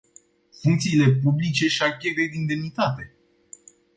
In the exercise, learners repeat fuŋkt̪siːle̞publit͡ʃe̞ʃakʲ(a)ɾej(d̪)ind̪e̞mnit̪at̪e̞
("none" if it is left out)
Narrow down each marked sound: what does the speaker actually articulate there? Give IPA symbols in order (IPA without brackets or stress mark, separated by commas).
e, d̪